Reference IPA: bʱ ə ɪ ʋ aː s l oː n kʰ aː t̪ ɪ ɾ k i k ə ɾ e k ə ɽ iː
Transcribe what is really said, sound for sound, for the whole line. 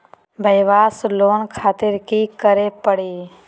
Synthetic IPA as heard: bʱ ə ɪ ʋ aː s l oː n kʰ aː t̪ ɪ ɾ k i k ə ɾ e p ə ɽ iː